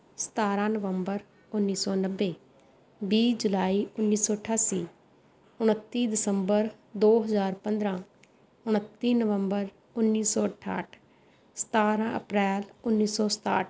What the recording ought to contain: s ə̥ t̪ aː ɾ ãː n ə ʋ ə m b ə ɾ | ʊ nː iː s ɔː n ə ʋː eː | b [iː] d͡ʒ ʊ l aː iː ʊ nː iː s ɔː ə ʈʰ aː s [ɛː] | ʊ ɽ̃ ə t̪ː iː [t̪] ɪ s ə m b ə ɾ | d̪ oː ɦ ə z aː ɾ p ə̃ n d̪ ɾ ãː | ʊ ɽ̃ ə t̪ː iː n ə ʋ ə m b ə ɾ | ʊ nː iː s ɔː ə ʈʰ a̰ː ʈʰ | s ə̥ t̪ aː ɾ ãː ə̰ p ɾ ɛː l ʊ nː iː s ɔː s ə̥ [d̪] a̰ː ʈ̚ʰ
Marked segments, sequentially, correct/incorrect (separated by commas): correct, incorrect, incorrect, incorrect